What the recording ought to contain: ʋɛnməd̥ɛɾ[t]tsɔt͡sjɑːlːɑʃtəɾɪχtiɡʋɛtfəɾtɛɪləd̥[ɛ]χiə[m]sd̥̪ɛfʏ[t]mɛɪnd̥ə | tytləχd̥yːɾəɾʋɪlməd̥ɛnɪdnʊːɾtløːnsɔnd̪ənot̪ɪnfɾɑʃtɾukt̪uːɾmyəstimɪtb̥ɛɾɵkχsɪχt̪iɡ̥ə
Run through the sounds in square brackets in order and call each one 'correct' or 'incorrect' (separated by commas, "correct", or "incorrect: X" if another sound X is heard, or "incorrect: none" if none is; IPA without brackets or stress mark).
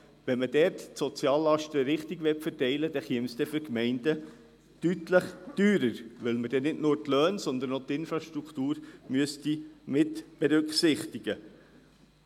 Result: correct, correct, correct, incorrect: k